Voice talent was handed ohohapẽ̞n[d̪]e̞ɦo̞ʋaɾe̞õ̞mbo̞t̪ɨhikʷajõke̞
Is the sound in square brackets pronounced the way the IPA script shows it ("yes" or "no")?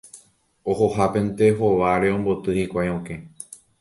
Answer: no